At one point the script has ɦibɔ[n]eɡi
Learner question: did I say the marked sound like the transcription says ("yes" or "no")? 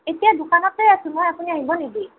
yes